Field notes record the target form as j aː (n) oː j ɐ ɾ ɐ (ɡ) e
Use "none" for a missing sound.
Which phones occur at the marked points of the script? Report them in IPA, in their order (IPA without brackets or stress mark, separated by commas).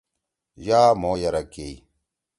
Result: m, k